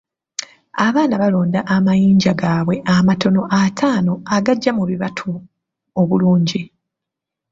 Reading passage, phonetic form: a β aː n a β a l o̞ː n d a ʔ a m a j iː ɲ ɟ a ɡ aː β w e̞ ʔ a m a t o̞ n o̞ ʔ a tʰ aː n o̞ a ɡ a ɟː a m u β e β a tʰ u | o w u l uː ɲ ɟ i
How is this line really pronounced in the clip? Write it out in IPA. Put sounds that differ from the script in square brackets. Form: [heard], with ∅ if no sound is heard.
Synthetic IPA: a β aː n a β a l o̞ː n d a ʔ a m a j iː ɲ ɟ a ɡ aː β w e̞ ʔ a m a t o̞ n o̞ ʔ a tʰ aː n o̞ a ɡ a ɟː a m u β [i] β a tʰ u | o [β] u l uː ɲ ɟ i